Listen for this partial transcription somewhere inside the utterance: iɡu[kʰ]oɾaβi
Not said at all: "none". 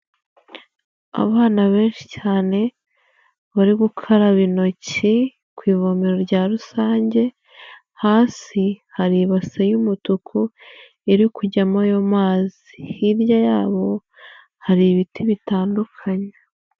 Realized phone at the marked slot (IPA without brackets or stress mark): kʰ